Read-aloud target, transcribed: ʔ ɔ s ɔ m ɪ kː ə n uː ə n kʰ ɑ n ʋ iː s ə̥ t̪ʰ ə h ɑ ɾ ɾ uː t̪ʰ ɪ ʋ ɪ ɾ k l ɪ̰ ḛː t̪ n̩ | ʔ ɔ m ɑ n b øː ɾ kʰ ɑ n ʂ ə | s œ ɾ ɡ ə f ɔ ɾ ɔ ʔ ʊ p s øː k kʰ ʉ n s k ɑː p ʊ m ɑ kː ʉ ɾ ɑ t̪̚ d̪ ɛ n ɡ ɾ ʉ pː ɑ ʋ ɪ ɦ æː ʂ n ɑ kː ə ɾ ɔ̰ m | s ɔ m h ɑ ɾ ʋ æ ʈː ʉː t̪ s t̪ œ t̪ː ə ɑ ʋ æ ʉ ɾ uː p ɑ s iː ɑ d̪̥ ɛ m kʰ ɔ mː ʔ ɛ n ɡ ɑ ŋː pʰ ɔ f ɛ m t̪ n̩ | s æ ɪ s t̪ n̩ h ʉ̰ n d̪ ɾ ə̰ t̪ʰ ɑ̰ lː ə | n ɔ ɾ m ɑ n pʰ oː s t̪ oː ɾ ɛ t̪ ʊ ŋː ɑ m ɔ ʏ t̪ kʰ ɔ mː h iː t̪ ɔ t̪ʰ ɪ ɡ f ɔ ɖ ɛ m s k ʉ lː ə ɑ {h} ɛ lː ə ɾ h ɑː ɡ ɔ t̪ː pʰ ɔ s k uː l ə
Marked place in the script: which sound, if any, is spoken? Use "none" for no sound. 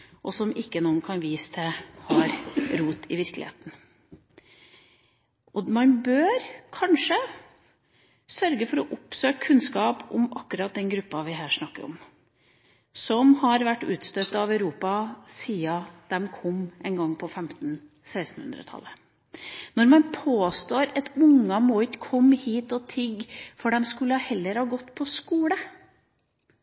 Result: h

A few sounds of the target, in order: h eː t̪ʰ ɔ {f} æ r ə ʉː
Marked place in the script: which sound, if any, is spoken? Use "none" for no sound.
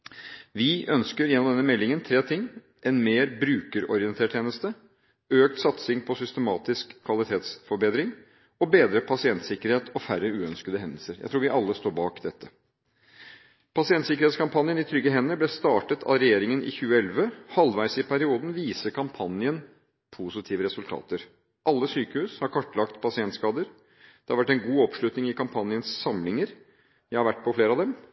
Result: f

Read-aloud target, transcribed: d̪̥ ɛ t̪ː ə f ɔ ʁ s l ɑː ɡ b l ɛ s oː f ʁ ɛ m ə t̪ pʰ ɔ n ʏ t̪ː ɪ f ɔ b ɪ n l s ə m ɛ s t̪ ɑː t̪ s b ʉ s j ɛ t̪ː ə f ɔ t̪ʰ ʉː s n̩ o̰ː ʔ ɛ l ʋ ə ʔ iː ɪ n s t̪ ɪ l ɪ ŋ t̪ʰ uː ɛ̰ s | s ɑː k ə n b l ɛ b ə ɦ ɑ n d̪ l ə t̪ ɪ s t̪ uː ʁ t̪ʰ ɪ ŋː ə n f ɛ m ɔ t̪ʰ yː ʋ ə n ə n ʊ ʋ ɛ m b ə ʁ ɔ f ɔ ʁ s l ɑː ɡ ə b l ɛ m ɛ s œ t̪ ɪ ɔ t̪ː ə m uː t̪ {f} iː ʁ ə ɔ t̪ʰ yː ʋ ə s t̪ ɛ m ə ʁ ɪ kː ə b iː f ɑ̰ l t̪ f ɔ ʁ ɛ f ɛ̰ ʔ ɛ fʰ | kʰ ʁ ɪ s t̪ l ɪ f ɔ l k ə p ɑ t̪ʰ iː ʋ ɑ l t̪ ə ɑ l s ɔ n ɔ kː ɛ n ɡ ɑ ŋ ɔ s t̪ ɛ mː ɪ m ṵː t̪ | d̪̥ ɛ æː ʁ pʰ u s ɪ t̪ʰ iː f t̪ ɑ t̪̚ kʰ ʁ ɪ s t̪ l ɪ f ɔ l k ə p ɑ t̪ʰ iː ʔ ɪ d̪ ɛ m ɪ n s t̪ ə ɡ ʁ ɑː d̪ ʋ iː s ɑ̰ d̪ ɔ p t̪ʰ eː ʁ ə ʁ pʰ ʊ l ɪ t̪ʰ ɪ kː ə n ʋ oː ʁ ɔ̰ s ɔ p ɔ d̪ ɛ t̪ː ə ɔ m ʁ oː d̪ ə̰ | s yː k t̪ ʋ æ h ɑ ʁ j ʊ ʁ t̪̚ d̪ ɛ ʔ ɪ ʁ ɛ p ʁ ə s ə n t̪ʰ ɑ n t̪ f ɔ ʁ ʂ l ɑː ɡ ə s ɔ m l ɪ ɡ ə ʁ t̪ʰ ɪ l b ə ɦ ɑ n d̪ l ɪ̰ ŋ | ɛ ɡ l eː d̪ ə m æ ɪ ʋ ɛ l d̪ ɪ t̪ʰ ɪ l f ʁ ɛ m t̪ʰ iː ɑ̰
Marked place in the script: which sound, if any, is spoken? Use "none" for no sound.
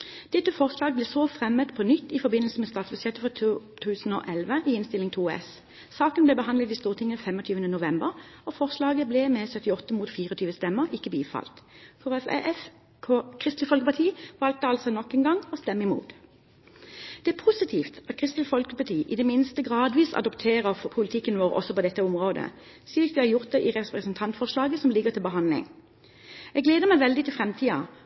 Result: f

